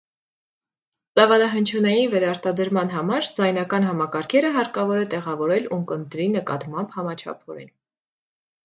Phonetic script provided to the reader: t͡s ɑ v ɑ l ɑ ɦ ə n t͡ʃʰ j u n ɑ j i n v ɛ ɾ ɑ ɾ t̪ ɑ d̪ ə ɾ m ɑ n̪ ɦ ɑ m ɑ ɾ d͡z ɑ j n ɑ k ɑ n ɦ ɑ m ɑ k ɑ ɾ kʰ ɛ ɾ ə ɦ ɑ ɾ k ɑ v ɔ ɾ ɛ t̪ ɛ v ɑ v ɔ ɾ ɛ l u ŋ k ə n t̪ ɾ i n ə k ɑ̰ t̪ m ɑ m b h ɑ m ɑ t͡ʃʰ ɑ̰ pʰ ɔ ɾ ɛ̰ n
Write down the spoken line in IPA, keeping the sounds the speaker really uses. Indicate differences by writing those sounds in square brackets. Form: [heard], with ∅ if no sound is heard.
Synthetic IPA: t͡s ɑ v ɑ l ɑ ɦ ə n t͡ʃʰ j u n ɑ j i n v ɛ ɾ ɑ ɾ t̪ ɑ d̪ ə ɾ m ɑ n̪ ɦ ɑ m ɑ ɾ d͡z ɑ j n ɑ k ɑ n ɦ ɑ m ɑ k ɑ ɾ kʰ ɛ ɾ ə ɦ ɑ ɾ k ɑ v ɔ ɾ ɛ t̪ ɛ [ʁ] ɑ v ɔ ɾ ɛ l u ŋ k ə n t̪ ɾ i n ə k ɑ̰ t̪ m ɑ m b h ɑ m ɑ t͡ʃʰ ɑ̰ pʰ ɔ ɾ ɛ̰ n

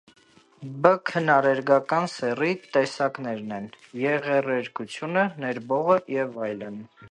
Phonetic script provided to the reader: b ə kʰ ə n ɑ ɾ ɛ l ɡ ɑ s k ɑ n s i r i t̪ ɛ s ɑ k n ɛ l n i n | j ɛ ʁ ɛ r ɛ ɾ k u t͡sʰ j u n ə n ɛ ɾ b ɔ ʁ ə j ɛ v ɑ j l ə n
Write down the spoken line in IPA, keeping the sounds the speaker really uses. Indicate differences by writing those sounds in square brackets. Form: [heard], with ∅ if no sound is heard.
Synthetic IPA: b ə kʰ ə n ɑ ɾ ɛ [ɾ] ɡ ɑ [∅] k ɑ n s [ɛ] r i t̪ ɛ s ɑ k n ɛ [ɾ] n [ɛ] n | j ɛ ʁ ɛ r ɛ ɾ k u t͡sʰ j u n ə n ɛ ɾ b ɔ ʁ ə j ɛ v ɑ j l ə n

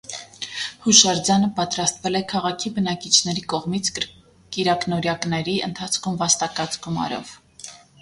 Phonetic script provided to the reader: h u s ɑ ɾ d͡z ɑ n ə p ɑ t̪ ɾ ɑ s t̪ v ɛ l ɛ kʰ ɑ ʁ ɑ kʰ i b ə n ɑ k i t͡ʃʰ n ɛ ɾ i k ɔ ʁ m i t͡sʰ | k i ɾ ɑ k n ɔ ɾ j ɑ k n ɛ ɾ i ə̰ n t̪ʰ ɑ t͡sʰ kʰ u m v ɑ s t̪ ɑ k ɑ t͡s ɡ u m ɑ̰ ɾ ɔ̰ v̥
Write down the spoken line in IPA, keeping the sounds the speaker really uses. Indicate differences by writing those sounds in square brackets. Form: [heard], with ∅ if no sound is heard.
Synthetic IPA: h u [ʃ] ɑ ɾ d͡z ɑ n ə p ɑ t̪ ɾ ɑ s t̪ v ɛ l ɛ kʰ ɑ ʁ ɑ kʰ i b ə n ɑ k i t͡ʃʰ n ɛ ɾ i k ɔ ʁ m i t͡sʰ | k i ɾ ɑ k n ɔ ɾ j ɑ k n ɛ ɾ i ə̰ n t̪ʰ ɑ t͡sʰ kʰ u m v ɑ s t̪ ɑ k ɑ t͡s ɡ u m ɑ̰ ɾ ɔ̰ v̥

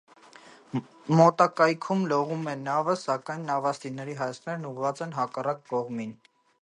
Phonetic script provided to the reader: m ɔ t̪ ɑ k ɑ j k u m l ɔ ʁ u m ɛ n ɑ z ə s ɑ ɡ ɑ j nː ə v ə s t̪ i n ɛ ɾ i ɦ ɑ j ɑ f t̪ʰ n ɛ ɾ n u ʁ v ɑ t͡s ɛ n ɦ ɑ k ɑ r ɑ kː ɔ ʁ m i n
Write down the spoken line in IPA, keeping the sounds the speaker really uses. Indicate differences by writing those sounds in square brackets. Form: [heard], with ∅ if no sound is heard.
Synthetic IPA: m ɔ t̪ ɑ k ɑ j [kʰ] u m l ɔ ʁ u m ɛ n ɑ [v] ə s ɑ [k] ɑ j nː [ɑ] v [ɑ] s t̪ i n ɛ ɾ i ɦ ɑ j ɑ [s] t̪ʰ n ɛ ɾ n u ʁ v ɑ t͡s ɛ n ɦ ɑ k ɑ r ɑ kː ɔ ʁ m i n

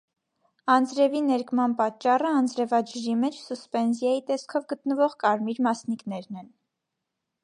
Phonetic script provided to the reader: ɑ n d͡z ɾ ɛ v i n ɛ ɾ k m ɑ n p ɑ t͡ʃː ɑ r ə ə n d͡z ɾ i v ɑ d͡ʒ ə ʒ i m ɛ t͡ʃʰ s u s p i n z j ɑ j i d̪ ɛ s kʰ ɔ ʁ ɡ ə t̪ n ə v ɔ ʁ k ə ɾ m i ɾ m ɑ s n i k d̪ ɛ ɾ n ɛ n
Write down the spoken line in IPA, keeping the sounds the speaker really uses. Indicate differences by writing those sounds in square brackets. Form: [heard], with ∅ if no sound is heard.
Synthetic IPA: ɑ n d͡z ɾ ɛ v i n ɛ ɾ k m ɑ n p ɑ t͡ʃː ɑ r ə [ɑ] n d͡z ɾ [ɛ] v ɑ d͡ʒ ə ʒ i m ɛ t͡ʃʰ s u s p [ɛ] n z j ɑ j i [t̪] ɛ s kʰ ɔ [v] ɡ ə t̪ n ə v ɔ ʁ k [ɑ] ɾ m i ɾ m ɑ s n i k [n̪] ɛ ɾ n ɛ n

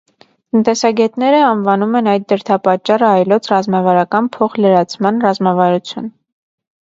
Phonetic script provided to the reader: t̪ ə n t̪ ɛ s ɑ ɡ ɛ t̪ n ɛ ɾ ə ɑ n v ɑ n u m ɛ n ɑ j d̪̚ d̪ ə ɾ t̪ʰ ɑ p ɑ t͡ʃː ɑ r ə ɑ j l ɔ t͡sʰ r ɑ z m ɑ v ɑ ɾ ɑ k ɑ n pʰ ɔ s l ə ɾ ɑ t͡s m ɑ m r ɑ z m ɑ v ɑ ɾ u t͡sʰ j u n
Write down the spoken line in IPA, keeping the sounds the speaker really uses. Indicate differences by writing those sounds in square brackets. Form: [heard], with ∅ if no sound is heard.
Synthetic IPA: t̪ ə n t̪ ɛ s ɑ ɡ ɛ t̪ n ɛ ɾ ə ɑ n v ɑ n u m ɛ n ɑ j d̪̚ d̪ ə ɾ t̪ʰ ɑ p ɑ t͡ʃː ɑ r ə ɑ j l ɔ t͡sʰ r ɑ z m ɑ v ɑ ɾ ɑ k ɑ n pʰ ɔ [χ] l ə ɾ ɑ [t͡sʰ] m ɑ [n] r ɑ z m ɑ v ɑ ɾ u t͡sʰ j u n

